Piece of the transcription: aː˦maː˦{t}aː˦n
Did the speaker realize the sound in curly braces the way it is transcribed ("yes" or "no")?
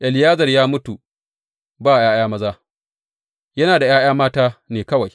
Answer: yes